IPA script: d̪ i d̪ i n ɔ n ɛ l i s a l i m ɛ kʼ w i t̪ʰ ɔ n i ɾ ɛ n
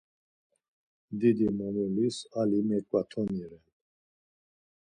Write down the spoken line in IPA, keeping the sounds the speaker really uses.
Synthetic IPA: d̪ i d̪ i m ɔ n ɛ l i s a l i m ɛ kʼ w a t̪ʰ ɔ n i ɾ ɛ n